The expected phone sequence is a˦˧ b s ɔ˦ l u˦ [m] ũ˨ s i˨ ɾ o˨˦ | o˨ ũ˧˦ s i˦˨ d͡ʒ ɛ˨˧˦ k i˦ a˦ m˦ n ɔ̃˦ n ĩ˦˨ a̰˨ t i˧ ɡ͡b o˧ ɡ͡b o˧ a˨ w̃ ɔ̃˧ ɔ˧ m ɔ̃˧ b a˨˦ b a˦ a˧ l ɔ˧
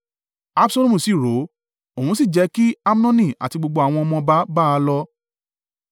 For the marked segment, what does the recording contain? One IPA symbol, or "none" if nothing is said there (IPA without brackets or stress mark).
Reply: m